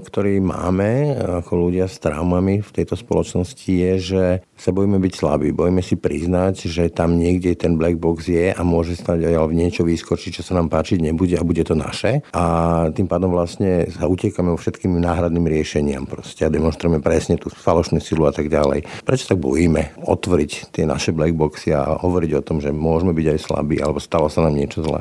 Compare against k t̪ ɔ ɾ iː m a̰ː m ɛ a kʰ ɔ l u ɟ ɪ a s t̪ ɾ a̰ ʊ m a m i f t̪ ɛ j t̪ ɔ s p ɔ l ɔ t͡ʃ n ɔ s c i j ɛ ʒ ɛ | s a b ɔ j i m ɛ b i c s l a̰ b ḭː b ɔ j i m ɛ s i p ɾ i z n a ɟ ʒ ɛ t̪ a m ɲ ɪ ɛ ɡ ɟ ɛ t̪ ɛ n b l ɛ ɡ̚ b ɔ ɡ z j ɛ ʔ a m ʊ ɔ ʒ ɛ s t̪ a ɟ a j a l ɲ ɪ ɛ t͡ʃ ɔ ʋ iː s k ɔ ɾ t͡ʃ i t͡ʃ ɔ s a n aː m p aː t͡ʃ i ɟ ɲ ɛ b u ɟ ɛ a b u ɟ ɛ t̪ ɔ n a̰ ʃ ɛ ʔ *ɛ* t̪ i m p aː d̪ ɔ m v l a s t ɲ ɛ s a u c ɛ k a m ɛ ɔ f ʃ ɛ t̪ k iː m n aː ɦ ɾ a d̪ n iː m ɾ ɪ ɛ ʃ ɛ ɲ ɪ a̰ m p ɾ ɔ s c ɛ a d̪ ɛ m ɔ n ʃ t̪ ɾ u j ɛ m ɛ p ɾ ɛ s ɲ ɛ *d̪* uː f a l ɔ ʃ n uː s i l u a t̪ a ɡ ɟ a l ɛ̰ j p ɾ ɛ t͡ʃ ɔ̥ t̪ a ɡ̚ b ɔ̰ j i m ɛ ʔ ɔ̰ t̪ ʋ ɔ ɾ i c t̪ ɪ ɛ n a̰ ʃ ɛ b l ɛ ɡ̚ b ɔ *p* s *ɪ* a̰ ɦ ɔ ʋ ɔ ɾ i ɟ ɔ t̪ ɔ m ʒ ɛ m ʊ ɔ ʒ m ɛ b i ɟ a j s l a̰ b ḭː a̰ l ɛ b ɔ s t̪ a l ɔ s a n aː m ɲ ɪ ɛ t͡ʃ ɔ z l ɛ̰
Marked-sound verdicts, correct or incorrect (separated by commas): incorrect, incorrect, incorrect, incorrect